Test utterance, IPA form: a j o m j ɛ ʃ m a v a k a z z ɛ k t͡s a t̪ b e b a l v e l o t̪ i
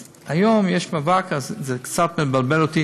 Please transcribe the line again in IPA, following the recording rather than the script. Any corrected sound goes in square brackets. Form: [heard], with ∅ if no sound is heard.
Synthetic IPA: a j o m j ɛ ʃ m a v a k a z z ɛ k t͡s a t̪ [m] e b a l [b] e l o t̪ i